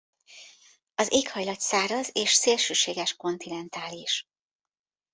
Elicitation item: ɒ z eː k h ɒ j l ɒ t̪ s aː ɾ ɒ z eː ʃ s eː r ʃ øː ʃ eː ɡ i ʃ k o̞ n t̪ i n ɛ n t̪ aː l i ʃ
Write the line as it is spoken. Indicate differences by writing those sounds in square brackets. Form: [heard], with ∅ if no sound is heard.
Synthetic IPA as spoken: ɒ z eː k h ɒ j l ɒ t̪ s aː ɾ ɒ z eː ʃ s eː [l] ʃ øː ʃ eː ɡ [ɛ] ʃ k o̞ n t̪ i n ɛ n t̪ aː l i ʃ